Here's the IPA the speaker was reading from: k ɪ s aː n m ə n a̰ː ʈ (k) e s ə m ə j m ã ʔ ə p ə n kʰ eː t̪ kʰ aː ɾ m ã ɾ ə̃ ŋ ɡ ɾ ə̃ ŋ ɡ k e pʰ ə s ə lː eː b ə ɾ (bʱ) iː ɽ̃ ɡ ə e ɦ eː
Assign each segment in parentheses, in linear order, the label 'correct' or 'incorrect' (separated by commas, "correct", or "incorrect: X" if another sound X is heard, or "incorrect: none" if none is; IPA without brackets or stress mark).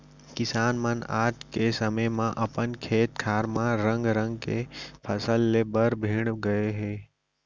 correct, correct